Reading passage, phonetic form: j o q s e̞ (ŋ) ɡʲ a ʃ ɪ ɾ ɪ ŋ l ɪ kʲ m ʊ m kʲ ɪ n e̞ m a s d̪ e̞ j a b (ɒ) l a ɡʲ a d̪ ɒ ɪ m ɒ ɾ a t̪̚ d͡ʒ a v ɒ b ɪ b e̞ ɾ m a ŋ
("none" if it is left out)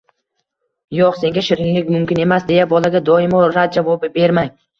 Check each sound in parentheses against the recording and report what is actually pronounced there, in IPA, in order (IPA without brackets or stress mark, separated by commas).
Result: ŋ, ɒ